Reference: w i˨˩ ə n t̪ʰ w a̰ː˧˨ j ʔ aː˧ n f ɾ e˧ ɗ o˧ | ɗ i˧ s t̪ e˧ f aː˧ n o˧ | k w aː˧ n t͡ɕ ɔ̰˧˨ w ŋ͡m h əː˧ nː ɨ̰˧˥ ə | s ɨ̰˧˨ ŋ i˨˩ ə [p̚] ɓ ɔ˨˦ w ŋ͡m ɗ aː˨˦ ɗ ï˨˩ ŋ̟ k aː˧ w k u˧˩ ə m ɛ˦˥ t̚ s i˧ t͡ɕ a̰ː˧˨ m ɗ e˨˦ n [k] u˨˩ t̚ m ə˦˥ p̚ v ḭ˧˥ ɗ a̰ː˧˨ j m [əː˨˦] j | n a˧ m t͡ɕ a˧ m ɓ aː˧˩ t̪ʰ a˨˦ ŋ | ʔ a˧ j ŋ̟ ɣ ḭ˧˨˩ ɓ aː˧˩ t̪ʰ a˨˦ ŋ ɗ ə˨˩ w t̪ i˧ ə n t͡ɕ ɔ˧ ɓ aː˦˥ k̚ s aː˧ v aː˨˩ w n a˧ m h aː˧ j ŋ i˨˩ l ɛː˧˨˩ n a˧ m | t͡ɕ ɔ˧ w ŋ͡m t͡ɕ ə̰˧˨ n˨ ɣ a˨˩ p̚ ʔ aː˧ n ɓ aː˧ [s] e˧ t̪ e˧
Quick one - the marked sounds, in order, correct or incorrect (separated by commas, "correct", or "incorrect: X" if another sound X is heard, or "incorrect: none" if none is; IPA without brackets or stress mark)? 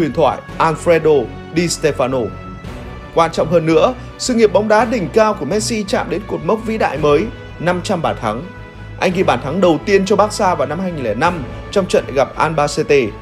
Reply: correct, correct, correct, correct